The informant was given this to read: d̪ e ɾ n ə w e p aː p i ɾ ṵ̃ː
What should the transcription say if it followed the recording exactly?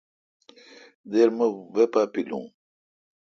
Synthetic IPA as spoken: d̪ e ɾ m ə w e p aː p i l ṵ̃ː